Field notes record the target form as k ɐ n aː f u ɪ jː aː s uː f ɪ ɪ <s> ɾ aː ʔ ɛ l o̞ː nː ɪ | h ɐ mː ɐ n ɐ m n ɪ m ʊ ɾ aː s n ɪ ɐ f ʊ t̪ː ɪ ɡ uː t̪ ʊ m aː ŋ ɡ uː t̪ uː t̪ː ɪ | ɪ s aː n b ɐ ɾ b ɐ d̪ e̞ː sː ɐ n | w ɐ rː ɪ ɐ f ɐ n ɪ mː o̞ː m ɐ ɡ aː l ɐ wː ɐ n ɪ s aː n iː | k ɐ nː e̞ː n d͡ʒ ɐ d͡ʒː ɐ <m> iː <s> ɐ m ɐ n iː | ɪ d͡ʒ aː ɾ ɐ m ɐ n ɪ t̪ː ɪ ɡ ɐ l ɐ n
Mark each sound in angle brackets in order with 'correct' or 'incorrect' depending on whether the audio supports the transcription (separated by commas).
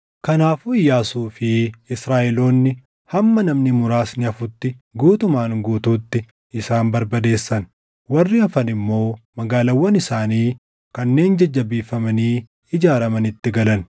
correct, incorrect, incorrect